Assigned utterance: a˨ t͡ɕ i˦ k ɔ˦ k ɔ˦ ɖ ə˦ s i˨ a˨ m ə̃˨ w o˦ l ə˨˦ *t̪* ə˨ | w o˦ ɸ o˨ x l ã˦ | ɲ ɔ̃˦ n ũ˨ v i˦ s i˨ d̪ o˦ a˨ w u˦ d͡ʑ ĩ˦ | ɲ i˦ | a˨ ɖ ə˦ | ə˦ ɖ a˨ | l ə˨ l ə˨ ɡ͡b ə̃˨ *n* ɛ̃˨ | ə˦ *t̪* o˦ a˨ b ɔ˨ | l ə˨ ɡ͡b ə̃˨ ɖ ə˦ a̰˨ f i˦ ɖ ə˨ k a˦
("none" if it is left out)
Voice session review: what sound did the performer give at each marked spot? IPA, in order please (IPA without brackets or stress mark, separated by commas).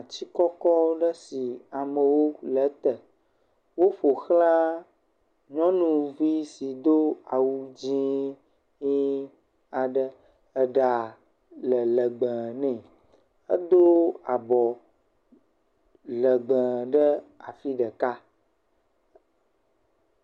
t̪, n, d̪